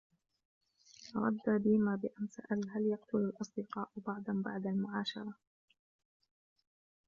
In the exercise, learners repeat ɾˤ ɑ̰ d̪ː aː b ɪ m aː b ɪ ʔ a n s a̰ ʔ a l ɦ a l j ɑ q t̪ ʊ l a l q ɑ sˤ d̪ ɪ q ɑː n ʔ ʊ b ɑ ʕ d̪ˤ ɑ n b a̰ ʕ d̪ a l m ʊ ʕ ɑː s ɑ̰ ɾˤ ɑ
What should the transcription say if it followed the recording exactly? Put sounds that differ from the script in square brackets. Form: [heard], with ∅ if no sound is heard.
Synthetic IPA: ɾˤ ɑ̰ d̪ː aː b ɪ m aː b ɪ ʔ a n s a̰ ʔ a l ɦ a l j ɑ q t̪ ʊ l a l [ʔ] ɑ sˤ d̪ ɪ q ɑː [∅] ʔ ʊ b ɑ ʕ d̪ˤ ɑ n b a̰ ʕ d̪ a l m ʊ ʕ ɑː [ʃ] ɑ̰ ɾˤ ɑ